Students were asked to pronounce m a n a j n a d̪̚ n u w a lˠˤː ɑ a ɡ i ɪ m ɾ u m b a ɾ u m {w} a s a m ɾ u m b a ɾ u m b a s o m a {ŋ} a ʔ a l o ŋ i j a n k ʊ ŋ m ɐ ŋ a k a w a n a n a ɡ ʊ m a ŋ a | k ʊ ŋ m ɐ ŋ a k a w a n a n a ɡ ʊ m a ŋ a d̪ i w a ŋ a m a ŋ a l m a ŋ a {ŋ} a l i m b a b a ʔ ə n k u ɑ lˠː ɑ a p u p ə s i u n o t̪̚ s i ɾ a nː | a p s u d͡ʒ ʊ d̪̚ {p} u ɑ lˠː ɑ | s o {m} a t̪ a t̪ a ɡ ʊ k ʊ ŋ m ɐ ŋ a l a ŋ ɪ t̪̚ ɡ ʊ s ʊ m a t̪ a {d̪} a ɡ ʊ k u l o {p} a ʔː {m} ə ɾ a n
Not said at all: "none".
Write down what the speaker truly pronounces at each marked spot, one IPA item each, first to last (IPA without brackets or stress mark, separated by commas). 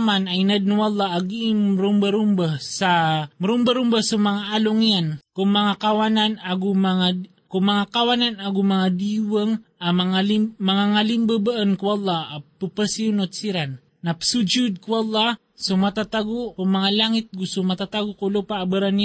b, ŋ, ŋ, k, m, t̪, p, b